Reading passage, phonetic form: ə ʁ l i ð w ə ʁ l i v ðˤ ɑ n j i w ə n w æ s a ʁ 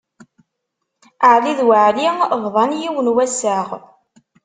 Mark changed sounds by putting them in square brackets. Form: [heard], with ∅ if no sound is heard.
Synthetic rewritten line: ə [ʕ] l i ð w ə [ʕ] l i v ðˤ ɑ n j i w ə n w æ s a ʁ